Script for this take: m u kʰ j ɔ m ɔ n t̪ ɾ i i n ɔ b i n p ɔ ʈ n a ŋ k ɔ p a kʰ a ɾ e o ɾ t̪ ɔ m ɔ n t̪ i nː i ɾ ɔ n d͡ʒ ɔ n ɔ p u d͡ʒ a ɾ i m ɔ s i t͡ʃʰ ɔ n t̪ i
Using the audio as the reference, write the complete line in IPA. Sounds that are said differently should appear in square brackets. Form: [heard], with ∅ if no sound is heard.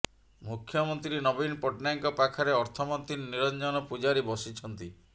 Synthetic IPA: m u kʰ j ɔ m ɔ n t̪ ɾ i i n ɔ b i n p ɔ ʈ n a ŋ k ɔ p a kʰ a ɾ e [ɔ] ɾ [t̪ʰ] ɔ m ɔ n t̪ i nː i ɾ ɔ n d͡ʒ ɔ n ɔ p u d͡ʒ a ɾ i [b] ɔ s i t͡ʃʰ ɔ n t̪ i